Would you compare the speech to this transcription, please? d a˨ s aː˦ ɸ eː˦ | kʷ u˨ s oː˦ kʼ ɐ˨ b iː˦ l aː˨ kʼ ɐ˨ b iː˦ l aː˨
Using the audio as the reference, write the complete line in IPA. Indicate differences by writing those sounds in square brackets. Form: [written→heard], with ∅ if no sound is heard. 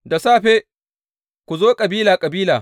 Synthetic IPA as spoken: d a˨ s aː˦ ɸ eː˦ | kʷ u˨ [s→z] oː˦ kʼ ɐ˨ b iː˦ l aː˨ kʼ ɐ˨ b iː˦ l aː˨